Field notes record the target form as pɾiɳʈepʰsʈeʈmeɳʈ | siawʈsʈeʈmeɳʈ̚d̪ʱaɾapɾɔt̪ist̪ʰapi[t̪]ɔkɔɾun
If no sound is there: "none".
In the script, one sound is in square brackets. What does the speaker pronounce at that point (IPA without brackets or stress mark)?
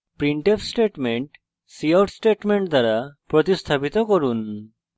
t̪